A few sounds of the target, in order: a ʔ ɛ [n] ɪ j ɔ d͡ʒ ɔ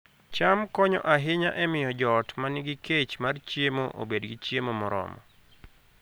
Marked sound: incorrect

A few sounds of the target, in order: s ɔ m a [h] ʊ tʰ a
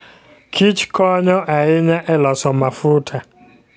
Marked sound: incorrect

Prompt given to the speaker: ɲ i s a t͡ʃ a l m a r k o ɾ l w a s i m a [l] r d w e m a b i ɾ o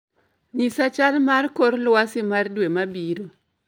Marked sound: incorrect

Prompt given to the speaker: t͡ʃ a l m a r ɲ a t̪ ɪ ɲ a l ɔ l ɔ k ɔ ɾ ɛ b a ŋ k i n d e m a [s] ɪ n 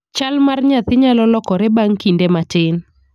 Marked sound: incorrect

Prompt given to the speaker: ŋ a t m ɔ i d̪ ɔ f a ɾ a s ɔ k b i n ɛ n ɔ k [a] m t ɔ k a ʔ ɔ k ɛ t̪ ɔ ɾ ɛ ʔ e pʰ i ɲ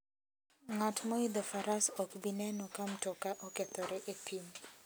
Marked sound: correct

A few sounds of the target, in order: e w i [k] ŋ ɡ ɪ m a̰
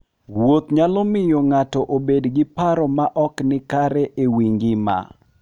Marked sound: incorrect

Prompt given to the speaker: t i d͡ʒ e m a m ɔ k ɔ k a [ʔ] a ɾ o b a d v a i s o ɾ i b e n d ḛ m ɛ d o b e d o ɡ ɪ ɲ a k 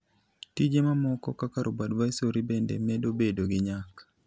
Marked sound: incorrect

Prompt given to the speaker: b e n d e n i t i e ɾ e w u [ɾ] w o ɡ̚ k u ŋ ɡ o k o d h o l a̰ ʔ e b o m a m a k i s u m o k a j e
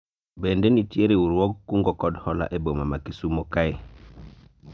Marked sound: correct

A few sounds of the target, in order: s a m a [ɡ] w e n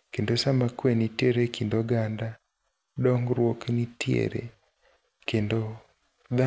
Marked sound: incorrect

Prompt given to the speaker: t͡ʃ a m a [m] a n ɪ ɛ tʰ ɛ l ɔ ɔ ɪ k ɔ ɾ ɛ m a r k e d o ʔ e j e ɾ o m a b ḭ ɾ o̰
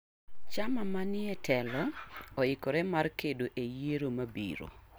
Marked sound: correct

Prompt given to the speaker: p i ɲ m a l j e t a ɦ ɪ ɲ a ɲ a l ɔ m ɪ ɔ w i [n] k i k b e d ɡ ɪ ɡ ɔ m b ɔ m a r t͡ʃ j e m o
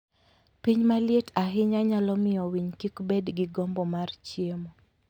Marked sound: incorrect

